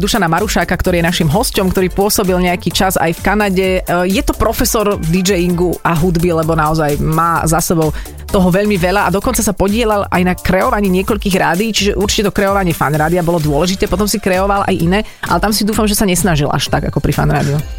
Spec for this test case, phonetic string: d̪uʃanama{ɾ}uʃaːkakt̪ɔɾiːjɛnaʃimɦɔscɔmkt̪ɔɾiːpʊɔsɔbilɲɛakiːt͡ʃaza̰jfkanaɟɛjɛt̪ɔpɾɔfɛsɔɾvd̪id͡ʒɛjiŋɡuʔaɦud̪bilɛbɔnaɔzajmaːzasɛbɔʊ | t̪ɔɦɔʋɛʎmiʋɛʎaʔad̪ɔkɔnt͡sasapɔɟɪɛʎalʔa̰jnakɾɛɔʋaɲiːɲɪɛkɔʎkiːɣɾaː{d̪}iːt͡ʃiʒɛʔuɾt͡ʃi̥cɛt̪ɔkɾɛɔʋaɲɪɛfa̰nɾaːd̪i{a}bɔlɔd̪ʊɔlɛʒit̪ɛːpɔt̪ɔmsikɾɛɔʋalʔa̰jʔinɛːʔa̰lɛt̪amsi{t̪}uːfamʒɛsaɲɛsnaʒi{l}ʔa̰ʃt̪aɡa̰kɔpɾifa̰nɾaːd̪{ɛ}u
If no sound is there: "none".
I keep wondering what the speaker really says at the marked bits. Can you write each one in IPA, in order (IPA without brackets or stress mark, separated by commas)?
ɾ, d̪, a, d̪, l, i